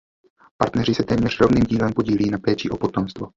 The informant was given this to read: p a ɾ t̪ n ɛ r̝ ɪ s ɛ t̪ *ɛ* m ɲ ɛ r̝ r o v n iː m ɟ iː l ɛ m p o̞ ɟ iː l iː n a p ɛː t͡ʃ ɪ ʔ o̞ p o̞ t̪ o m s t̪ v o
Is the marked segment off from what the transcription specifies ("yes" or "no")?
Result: yes